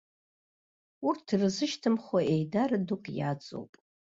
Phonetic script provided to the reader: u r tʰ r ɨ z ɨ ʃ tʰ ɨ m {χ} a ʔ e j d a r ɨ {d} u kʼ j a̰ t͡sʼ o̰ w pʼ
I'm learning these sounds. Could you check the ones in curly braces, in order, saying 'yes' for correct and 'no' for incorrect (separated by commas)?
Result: yes, yes